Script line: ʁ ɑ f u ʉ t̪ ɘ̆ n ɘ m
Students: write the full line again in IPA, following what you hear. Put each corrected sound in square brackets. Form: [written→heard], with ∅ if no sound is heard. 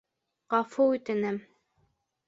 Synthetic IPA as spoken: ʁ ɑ f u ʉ t̪ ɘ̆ n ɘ m